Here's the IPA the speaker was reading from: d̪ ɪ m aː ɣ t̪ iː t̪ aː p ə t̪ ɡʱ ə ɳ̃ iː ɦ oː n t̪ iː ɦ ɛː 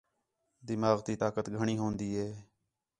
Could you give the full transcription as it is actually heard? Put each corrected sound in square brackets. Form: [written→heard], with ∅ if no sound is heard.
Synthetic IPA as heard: d̪ ɪ m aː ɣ t̪ iː t̪ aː [p→k] ə t̪ ɡʱ ə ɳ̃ iː ɦ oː n [t̪→d̪] iː ɦ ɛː

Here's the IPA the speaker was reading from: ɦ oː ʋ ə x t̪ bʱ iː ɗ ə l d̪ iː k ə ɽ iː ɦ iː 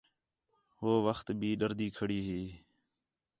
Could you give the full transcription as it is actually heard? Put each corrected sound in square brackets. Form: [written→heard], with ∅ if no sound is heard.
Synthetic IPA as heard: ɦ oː ʋ ə x t̪ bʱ iː ɗ ə [l→ɾ] d̪ iː [k→kʰ] ə ɽ iː ɦ iː

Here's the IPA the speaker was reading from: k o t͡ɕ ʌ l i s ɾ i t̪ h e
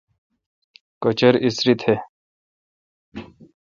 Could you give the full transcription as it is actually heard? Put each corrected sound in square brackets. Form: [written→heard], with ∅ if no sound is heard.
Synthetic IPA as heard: k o t͡ɕ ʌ [l→ɾ] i s ɾ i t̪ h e

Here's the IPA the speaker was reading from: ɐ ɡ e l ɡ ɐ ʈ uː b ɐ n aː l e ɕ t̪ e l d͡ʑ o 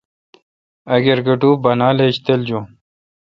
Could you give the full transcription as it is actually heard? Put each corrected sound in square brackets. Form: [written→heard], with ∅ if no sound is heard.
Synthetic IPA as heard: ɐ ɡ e [l→ɾ] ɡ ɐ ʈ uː b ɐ n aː l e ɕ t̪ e l d͡ʑ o

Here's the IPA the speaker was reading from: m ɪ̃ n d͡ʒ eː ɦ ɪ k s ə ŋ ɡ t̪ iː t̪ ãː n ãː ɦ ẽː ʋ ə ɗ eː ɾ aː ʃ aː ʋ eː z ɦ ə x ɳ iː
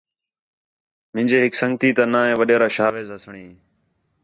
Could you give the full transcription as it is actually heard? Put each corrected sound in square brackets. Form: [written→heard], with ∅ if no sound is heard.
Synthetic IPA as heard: m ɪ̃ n d͡ʒ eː ɦ ɪ k s ə ŋ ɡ t̪ iː t̪ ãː n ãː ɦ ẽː ʋ ə ɗ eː ɾ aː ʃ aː ʋ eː z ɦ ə [x→s] ɳ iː

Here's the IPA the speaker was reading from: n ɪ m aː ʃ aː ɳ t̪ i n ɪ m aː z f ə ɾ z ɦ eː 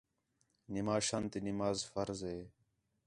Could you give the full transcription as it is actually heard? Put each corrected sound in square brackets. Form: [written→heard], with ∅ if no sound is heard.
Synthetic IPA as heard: n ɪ m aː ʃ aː [ɳ→n] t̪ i n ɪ m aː z f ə ɾ z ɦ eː

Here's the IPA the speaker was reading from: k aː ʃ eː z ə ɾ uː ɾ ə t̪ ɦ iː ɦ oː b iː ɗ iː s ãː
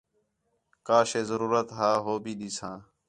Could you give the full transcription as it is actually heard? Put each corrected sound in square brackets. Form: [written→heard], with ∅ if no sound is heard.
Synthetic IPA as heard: k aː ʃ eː z ə ɾ uː ɾ ə t̪ ɦ [iː→aː] ɦ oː b iː ɗ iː s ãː

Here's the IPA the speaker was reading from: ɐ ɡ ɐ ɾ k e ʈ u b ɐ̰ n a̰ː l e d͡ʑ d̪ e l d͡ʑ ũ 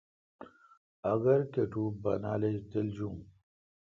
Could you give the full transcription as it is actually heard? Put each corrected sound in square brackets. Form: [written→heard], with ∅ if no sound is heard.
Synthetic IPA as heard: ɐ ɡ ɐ ɾ k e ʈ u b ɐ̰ n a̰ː l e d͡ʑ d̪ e l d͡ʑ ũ

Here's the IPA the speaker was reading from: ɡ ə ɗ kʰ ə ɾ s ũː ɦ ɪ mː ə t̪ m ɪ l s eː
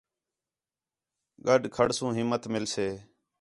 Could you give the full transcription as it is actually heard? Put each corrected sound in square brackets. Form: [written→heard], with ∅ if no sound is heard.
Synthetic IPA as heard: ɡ ə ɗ kʰ ə [ɾ→ɽ] s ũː ɦ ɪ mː ə t̪ m ɪ l s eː

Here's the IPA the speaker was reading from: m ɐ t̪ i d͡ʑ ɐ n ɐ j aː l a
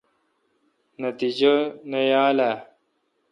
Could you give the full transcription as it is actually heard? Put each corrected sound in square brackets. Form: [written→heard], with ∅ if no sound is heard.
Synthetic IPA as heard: [m→n] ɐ t̪ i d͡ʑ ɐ n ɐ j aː l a

